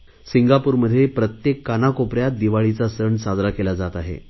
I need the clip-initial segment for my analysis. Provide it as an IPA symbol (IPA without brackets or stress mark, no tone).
s